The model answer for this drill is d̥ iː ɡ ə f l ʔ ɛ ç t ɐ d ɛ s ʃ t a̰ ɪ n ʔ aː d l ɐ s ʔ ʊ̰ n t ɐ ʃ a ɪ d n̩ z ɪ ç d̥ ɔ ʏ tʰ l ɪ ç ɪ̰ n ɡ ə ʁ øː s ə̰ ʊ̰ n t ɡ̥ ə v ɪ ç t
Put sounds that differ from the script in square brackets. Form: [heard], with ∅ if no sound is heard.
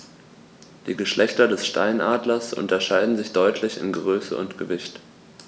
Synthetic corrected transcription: d̥ iː ɡ ə [ʃ] l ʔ ɛ ç t ɐ d ɛ s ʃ t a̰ ɪ n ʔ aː d l ɐ s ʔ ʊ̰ n t ɐ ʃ a ɪ d n̩ z ɪ ç d̥ ɔ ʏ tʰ l ɪ ç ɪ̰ n ɡ ə ʁ øː s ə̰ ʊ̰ n t ɡ̥ ə v ɪ ç t